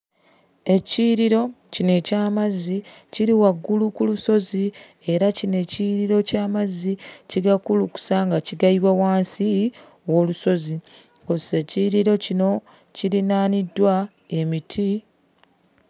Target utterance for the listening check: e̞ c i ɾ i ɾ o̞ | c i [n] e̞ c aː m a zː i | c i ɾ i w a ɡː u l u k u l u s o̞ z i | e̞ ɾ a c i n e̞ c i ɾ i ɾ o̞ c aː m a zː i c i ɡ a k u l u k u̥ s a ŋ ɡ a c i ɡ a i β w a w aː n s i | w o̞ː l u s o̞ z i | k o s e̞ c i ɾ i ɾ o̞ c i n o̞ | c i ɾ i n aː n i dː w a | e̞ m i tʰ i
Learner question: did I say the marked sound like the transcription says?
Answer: yes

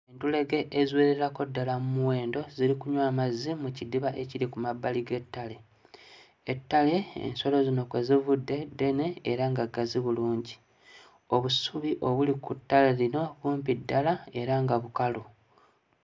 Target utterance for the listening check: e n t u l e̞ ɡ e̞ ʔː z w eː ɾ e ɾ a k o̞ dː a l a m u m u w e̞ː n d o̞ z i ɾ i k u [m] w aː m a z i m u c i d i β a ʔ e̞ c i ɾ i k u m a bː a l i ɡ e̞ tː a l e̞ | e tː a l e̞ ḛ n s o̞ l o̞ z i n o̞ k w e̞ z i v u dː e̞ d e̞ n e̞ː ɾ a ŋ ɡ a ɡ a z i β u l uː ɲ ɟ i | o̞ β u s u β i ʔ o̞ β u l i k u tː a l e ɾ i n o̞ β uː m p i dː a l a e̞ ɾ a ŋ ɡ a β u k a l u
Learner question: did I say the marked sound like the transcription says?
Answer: no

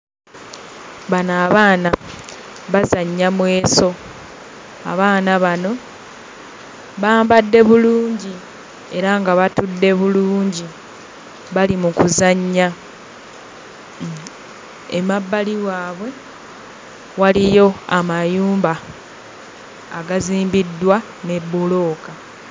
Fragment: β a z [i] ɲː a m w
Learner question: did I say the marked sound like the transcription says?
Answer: no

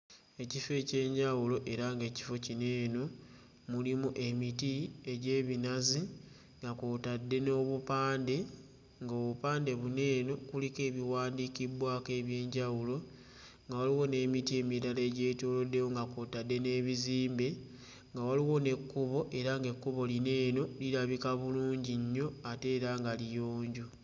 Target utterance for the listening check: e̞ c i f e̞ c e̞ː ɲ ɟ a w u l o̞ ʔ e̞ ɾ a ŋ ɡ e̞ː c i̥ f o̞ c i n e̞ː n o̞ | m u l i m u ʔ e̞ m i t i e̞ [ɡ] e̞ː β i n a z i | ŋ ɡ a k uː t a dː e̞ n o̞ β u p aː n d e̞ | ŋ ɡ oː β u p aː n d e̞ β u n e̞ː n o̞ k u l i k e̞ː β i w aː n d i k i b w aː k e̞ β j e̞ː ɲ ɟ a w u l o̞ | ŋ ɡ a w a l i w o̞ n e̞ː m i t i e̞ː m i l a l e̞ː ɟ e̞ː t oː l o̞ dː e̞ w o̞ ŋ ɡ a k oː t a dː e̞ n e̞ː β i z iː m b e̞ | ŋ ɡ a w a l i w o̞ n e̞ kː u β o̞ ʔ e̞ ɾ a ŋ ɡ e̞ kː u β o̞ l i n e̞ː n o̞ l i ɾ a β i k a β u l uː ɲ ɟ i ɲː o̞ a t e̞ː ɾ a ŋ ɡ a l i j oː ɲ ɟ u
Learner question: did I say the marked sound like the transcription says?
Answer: no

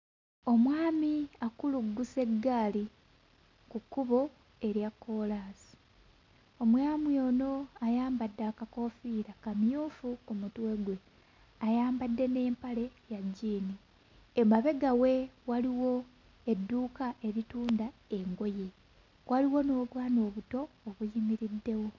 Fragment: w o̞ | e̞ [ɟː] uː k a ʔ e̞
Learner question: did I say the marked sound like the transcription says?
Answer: no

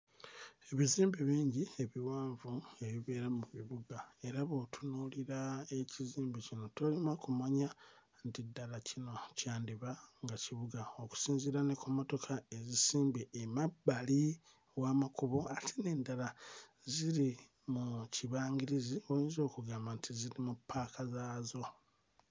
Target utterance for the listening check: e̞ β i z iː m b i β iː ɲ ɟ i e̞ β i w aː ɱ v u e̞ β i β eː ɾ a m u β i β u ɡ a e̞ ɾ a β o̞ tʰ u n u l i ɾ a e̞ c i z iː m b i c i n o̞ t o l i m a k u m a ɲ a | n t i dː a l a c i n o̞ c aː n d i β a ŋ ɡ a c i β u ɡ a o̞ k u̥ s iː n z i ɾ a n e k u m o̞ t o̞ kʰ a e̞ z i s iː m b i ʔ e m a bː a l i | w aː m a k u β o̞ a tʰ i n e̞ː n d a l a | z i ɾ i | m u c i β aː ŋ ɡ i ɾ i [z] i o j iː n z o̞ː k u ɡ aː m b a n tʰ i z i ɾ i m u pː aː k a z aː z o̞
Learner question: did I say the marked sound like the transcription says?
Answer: yes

